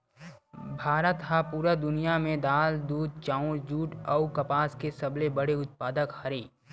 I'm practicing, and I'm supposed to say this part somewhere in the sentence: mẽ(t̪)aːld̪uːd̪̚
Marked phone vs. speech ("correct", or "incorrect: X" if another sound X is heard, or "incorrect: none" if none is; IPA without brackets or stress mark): incorrect: d̪